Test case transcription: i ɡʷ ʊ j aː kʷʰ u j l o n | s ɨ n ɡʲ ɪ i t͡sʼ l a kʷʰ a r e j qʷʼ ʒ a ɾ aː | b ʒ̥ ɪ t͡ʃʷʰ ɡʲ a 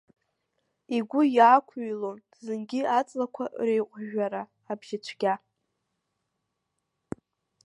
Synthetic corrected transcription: i ɡʷ ʊ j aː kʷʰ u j l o n | z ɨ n ɡʲ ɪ a t͡sʼ l a kʷʰ a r e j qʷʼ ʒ a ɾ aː | b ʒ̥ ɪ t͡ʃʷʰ ɡʲ a